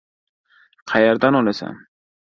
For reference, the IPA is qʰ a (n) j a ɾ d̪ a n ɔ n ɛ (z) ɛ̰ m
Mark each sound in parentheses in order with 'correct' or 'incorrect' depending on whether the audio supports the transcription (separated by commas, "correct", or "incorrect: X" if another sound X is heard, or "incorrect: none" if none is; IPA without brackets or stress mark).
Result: incorrect: none, incorrect: s